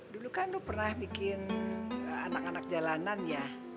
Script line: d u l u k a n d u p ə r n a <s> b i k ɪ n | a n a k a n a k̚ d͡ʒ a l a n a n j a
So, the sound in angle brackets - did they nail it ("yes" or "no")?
no